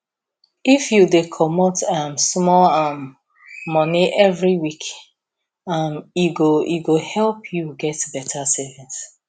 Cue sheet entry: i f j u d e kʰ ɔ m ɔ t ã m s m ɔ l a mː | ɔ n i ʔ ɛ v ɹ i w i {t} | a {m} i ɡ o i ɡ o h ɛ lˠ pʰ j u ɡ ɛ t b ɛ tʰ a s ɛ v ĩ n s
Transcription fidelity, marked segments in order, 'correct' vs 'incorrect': incorrect, correct

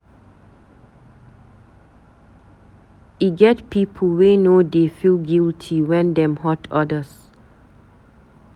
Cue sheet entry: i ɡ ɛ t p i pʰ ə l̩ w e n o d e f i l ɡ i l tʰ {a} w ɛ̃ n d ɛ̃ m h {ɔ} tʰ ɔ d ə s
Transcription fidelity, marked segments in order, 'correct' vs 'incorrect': incorrect, correct

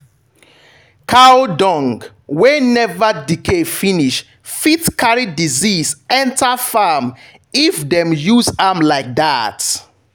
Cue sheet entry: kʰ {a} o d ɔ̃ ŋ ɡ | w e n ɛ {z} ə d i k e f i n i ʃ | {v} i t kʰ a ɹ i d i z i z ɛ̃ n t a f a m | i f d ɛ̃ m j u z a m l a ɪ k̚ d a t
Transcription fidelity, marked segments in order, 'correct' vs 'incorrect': correct, incorrect, incorrect

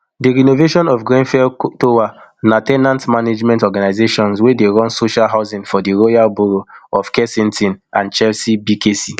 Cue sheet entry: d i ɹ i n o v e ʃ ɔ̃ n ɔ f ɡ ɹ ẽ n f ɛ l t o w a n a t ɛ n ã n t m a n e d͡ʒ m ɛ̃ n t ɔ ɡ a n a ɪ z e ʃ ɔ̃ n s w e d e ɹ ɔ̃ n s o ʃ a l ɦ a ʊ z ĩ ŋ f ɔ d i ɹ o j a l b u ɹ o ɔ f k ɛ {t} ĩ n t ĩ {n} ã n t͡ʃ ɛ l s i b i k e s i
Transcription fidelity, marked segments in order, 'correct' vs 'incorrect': incorrect, correct

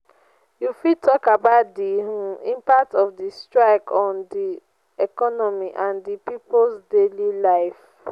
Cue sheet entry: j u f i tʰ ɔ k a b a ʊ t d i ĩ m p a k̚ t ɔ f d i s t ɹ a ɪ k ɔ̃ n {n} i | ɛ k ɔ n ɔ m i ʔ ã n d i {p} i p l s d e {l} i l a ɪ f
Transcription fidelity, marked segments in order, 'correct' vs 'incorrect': incorrect, correct, correct

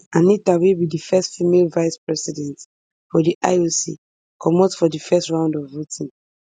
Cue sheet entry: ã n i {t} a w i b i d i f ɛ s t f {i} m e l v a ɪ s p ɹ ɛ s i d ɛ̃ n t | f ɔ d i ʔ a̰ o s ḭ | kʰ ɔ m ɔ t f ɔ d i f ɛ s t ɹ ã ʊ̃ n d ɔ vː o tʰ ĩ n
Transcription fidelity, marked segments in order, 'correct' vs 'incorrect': correct, correct

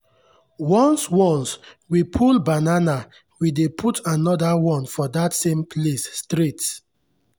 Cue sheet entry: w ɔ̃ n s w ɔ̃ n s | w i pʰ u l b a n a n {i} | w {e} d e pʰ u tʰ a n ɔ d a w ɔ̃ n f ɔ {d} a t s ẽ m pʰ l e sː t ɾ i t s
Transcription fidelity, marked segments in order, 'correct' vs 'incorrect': incorrect, incorrect, correct

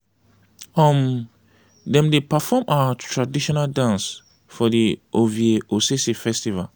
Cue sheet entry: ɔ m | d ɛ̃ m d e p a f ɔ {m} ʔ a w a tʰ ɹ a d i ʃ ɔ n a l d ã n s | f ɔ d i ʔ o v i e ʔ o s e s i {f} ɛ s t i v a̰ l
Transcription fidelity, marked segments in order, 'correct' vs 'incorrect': correct, correct

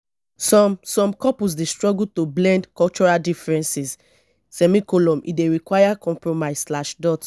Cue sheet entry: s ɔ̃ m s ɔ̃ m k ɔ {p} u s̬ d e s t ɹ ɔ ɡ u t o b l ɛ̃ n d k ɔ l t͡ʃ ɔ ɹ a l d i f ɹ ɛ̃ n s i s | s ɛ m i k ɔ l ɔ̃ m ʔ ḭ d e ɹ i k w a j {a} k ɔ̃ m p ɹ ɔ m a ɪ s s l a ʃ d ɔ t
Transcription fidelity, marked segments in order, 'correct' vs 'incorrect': correct, correct

